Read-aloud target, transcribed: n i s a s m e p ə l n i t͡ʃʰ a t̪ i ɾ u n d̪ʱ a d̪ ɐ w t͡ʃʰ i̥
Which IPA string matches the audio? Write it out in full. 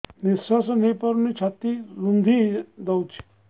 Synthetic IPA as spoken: n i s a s n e p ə ɾ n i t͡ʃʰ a t̪ i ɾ u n d̪ʱ i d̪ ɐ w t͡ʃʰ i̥